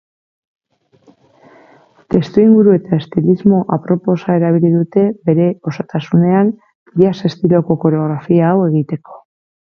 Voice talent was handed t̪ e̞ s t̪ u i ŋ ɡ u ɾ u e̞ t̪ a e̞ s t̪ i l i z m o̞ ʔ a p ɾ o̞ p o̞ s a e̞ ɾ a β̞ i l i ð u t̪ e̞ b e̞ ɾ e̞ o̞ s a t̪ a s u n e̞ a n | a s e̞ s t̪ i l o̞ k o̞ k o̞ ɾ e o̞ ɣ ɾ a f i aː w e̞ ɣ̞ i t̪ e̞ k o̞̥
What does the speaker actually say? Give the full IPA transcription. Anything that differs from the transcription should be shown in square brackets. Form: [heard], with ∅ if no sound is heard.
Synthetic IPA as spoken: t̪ e̞ s t̪ u i ŋ ɡ u ɾ u e̞ t̪ a e̞ s t̪ i l i z m o̞ ʔ a p ɾ o̞ p o̞ s a e̞ ɾ a β̞ i l i ð u t̪ e̞ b e̞ ɾ e̞ o̞ s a t̪ a s u n e̞ a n | a s e̞ s t̪ i l o̞ k o̞ k o̞ ɾ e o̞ ɣ ɾ a f i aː w e̞ ɣ̞ i t̪ e̞ k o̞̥